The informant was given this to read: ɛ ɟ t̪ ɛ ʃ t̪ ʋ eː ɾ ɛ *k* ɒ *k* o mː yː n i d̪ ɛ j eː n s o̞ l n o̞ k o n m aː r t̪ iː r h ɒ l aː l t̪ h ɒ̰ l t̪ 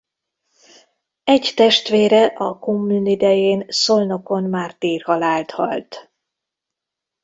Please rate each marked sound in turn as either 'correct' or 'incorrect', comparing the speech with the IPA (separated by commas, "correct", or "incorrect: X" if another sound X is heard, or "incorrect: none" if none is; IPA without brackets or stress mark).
incorrect: ʔ, correct